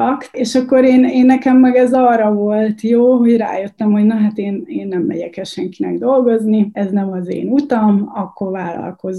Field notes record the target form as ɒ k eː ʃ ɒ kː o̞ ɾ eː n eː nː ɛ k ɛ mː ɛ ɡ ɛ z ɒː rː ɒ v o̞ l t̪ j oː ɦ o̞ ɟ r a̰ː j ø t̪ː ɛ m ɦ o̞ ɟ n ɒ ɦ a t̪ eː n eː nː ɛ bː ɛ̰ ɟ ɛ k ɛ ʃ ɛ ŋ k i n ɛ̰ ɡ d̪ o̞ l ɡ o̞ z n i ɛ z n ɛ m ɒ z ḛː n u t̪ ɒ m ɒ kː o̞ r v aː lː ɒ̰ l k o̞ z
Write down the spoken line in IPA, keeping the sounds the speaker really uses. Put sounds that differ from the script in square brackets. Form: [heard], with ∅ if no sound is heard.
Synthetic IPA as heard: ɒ k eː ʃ ɒ kː o̞ ɾ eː n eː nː ɛ k ɛ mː ɛ ɡ ɛ z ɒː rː ɒ v o̞ l t̪ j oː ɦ o̞ ɟ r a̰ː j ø t̪ː ɛ m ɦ o̞ ɟ n ɒ ɦ a t̪ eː n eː nː ɛ [mː] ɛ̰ ɟ ɛ k ɛ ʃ ɛ ŋ k i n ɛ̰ ɡ d̪ o̞ l ɡ o̞ z n i ɛ z n ɛ m ɒ z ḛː n u t̪ ɒ m ɒ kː o̞ r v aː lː ɒ̰ l k o̞ z